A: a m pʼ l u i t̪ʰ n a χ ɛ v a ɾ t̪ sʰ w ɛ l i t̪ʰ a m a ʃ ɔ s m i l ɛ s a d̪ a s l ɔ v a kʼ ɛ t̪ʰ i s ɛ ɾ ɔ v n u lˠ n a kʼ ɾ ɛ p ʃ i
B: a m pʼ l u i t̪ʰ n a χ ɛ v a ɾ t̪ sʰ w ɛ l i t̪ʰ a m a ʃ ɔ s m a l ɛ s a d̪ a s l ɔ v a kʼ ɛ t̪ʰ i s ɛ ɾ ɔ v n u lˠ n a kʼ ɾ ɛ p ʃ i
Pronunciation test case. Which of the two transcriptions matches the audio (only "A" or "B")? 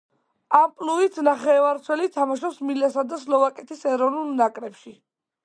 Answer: A